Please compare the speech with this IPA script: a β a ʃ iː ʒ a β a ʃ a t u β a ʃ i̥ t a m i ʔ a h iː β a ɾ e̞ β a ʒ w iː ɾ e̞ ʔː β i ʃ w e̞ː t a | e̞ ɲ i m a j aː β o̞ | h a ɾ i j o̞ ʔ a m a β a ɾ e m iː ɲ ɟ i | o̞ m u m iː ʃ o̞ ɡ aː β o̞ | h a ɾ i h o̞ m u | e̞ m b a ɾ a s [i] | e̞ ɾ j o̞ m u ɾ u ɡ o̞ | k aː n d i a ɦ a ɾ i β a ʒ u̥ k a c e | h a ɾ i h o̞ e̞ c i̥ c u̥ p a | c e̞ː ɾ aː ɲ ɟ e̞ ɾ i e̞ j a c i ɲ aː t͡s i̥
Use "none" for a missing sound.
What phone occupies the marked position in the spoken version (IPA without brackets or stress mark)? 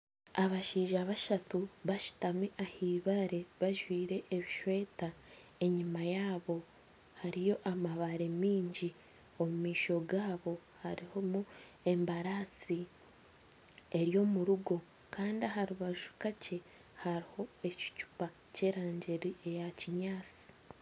i